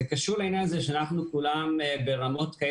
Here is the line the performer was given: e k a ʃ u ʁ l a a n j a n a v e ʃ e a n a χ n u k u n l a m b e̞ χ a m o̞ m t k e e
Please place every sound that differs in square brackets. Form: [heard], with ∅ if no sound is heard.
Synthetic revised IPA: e k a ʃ u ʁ l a [i] n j a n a [z] e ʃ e a n a χ n u k u [∅] l a m b e̞ [ʁ] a m o̞ [∅] t k [a] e